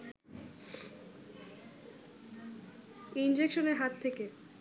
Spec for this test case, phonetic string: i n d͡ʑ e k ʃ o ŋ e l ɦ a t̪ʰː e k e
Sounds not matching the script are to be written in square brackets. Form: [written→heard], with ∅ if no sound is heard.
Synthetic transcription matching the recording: i n d͡ʑ e k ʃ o [ŋ→n] e [l→ɾ] ɦ a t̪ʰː e k e